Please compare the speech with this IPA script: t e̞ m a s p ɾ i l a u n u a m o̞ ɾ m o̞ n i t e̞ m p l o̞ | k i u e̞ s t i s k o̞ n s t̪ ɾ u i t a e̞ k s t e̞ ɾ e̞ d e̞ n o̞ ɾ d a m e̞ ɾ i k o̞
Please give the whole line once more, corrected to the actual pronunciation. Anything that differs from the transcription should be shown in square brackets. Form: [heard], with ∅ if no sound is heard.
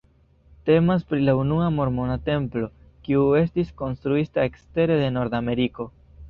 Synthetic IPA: t e̞ m a s p ɾ i l a u n u a m o̞ ɾ m o̞ n [a] t e̞ m p l o̞ | k i u e̞ s t i s k o̞ n s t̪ ɾ u i t a e̞ k s t e̞ ɾ e̞ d e̞ n o̞ ɾ d a m e̞ ɾ i k o̞